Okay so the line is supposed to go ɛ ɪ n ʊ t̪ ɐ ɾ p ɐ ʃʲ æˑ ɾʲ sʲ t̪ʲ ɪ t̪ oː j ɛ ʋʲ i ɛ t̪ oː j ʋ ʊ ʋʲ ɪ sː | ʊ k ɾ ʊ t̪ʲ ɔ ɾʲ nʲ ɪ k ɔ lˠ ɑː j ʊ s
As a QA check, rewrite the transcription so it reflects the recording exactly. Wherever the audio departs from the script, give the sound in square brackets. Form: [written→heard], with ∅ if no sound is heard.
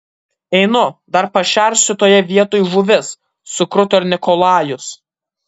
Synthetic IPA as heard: ɛ ɪ n ʊ [t̪→d̪] ɐ ɾ p ɐ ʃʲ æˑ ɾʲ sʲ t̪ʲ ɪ t̪ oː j ɛ ʋʲ i ɛ t̪ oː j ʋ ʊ ʋʲ ɪ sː | ʊ k ɾ ʊ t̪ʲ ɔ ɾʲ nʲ ɪ k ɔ lˠ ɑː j ʊ s

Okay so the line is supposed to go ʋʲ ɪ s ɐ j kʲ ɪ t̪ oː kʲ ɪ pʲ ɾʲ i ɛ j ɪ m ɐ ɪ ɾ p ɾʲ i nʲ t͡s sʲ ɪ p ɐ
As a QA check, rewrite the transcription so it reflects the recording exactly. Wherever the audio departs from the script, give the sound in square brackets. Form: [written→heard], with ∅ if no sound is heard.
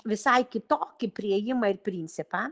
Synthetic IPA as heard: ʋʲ ɪ s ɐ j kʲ ɪ t̪ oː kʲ ɪ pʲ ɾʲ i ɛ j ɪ m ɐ ɪ ɾ p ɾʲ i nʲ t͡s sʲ ɪ p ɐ

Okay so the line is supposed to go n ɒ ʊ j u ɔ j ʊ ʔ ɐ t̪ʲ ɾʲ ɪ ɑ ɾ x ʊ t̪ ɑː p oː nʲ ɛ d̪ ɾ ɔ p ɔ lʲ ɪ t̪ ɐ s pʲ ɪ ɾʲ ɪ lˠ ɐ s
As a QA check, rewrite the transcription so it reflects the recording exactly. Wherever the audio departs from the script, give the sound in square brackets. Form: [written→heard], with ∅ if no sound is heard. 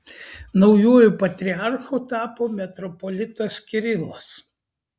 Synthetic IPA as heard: n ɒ ʊ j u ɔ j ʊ [ʔ→p] ɐ t̪ʲ ɾʲ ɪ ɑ ɾ x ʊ t̪ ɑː p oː [nʲ→mʲ] ɛ [d̪→t̪] ɾ ɔ p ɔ lʲ ɪ t̪ ɐ s [pʲ→kʲ] ɪ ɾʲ ɪ lˠ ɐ s

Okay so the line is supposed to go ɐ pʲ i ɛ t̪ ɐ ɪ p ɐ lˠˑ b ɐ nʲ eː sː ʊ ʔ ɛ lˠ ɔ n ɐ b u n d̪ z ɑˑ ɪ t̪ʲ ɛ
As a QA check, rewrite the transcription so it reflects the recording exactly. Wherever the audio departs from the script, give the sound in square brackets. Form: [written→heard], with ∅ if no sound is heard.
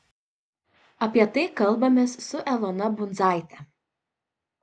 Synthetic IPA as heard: ɐ pʲ i ɛ t̪ ɐ ɪ [p→k] ɐ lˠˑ b ɐ [nʲ→mʲ] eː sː ʊ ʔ ɛ lˠ ɔ n ɐ b [u→ʊ] n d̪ z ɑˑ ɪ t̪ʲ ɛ

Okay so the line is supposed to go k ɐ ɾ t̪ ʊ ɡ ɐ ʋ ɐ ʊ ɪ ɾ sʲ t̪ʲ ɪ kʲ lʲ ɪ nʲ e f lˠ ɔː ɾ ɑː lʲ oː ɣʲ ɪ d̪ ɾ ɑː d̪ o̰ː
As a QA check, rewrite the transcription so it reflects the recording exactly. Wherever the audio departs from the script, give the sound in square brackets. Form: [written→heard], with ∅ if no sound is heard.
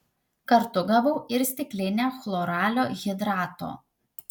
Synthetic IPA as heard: k ɐ ɾ t̪ ʊ ɡ ɐ ʋ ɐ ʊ ɪ ɾ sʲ t̪ʲ ɪ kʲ lʲ ɪ nʲ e [f→x] lˠ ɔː ɾ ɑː lʲ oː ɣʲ ɪ d̪ ɾ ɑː [d̪→t̪] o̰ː

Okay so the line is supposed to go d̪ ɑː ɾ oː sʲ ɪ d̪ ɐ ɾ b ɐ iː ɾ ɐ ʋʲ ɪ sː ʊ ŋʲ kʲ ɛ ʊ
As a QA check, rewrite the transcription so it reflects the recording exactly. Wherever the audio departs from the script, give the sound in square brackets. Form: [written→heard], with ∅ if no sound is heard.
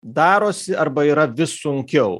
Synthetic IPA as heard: d̪ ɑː ɾ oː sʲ ɪ [d̪→∅] ɐ ɾ b ɐ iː ɾ ɐ ʋʲ ɪ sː ʊ ŋʲ kʲ ɛ ʊ

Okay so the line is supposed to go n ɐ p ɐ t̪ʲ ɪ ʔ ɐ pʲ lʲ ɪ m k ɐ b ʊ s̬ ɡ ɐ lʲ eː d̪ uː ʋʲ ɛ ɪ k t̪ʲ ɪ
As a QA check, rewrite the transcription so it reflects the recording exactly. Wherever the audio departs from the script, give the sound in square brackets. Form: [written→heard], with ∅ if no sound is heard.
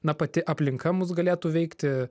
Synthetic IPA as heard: n ɐ p ɐ t̪ʲ ɪ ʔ ɐ pʲ lʲ ɪ [m→ŋ] k ɐ [b→m] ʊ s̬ ɡ ɐ lʲ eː [d̪→t̪] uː ʋʲ ɛ ɪ k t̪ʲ ɪ

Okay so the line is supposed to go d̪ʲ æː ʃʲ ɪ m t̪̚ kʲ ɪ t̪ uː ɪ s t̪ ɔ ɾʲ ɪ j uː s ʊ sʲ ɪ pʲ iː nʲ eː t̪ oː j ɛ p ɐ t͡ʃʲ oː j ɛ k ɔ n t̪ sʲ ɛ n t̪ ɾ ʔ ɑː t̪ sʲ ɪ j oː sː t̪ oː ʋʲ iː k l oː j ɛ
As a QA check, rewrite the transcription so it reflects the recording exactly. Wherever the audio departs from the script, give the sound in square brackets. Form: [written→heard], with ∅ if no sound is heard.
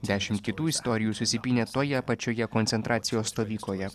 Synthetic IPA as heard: d̪ʲ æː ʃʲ ɪ m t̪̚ kʲ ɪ t̪ uː ɪ s t̪ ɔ ɾʲ ɪ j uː s ʊ sʲ ɪ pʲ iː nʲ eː t̪ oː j ɛ p ɐ t͡ʃʲ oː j ɛ k ɔ n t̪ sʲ ɛ n t̪ ɾ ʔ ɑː t̪ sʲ ɪ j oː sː t̪ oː ʋʲ iː k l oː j ɛ

